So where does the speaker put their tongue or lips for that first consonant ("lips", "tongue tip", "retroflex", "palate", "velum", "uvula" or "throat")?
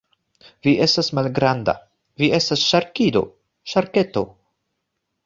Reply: lips